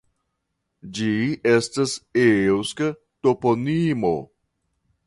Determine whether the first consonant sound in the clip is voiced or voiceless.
voiced